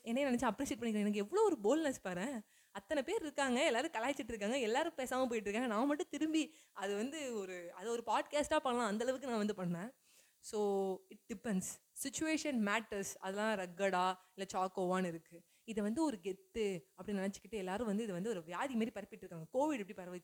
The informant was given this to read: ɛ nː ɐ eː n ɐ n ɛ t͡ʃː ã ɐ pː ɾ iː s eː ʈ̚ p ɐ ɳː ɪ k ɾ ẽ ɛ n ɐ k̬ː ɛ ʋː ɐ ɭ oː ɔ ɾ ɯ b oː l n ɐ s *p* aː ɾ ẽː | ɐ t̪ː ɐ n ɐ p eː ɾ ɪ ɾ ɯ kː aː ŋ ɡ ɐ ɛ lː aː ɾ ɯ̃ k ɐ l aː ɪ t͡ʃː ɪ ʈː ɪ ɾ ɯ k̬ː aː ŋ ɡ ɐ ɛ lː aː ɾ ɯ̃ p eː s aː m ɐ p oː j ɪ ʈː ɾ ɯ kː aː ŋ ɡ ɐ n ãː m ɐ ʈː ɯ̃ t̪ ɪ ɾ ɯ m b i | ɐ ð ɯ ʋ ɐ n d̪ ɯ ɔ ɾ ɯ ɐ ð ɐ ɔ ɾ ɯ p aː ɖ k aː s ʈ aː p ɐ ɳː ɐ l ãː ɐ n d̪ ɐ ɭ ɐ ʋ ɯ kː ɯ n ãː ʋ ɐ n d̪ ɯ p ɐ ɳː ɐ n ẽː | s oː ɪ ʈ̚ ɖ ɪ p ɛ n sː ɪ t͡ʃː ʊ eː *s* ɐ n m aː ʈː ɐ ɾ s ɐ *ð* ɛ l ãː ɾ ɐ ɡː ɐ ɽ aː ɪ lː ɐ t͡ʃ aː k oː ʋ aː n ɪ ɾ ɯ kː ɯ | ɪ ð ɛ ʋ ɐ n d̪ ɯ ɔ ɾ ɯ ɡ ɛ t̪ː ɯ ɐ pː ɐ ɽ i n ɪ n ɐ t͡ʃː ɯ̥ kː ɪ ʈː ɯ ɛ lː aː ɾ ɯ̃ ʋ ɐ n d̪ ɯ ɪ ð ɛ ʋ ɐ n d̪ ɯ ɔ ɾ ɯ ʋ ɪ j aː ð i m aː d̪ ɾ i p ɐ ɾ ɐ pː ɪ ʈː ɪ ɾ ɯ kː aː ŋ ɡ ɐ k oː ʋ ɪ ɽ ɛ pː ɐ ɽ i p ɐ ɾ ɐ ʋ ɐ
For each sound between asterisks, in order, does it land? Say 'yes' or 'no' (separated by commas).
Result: yes, no, yes